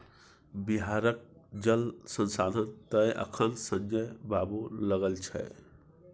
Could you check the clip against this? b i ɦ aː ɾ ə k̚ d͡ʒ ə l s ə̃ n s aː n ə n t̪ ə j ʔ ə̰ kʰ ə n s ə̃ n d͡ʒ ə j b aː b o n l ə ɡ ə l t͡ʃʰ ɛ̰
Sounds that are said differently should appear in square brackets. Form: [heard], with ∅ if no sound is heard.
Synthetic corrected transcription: b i ɦ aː ɾ ə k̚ d͡ʒ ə l s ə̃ n s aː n ə n t̪ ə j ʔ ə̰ kʰ ə n s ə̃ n d͡ʒ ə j b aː b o [∅] l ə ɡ ə l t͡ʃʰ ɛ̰